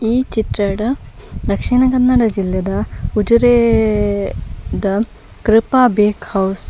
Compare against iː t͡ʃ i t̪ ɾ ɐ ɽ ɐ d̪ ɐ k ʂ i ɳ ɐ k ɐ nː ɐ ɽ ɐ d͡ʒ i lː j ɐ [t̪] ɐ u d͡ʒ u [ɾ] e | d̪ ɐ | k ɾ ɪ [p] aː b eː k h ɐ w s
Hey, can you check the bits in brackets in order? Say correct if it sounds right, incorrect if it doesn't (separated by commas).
incorrect, correct, correct